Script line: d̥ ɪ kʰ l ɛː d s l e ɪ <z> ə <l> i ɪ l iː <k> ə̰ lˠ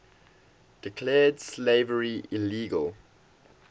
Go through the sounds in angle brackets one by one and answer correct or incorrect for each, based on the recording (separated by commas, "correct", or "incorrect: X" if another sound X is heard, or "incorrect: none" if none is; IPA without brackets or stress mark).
incorrect: v, incorrect: ɹ, incorrect: ɡ